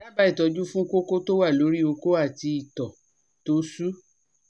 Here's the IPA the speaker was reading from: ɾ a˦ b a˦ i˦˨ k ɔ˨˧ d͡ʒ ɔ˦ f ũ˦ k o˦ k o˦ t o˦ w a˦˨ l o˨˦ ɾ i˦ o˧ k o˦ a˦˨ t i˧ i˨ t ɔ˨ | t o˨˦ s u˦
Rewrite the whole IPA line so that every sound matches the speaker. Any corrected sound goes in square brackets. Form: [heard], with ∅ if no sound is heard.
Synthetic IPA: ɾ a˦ b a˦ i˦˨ [t] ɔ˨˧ d͡ʒ [u˦] f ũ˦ k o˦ k o˦ t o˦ w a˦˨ l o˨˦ ɾ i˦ o˧ k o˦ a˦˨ t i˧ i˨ t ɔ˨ | t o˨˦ s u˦